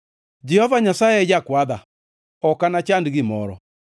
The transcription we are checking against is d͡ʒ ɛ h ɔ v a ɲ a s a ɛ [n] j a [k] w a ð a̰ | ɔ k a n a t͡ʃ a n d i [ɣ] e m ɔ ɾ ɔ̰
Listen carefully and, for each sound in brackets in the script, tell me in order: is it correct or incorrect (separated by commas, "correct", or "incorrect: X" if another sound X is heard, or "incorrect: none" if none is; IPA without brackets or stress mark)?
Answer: incorrect: none, correct, correct